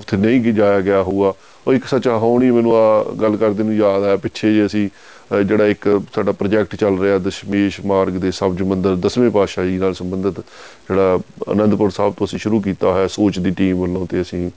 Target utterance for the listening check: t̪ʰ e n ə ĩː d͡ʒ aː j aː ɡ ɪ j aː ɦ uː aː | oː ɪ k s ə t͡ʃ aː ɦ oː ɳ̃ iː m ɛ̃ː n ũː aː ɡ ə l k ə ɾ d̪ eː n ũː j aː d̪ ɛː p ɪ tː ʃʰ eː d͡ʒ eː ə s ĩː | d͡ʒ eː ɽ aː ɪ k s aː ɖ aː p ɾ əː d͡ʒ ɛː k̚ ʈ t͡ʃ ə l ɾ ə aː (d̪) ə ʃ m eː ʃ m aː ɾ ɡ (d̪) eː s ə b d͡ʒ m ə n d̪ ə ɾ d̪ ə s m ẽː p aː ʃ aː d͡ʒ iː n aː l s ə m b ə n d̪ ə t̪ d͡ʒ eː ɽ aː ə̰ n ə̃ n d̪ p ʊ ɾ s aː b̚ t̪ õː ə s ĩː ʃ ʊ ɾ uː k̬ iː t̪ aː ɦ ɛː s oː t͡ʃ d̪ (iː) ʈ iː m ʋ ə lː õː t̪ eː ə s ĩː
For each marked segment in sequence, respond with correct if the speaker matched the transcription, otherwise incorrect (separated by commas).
correct, correct, correct